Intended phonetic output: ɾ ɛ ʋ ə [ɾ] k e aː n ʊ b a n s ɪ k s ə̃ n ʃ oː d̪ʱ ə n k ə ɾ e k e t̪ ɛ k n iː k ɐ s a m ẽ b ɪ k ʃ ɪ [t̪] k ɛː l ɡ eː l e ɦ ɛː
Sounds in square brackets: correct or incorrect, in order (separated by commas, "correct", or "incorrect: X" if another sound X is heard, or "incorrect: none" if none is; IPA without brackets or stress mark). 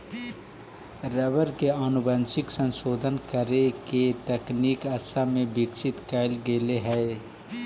correct, correct